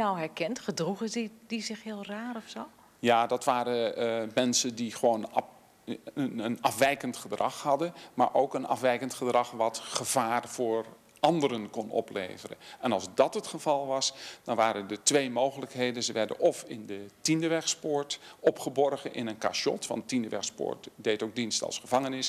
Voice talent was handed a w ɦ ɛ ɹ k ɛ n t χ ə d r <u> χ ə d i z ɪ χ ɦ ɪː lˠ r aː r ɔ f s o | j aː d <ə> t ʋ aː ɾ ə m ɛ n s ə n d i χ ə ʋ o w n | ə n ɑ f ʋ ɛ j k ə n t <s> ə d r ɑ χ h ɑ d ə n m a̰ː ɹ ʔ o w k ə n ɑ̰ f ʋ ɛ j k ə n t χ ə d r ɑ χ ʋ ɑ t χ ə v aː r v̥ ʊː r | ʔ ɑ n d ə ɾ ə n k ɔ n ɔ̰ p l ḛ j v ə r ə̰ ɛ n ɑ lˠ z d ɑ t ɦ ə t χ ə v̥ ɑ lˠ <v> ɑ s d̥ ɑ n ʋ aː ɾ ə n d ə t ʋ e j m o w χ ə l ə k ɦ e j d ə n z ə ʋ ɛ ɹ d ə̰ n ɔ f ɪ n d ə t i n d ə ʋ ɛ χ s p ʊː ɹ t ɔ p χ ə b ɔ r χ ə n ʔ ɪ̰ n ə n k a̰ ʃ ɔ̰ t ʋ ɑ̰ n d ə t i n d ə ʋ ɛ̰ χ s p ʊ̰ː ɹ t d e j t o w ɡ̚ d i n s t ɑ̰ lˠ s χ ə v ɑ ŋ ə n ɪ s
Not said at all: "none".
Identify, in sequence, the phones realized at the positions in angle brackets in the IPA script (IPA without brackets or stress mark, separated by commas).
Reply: u, ɑ, χ, ʋ